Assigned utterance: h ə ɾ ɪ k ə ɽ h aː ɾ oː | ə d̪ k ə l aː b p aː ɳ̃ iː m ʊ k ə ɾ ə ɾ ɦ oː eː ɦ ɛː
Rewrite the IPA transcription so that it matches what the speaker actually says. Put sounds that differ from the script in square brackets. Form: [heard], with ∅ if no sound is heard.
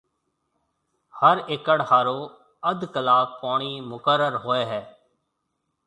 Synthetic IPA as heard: h ə ɾ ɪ k ə ɽ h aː ɾ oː | ə d̪ k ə l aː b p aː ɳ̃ iː m ʊ k ə ɾ ə ɾ ɦ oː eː ɦ ɛː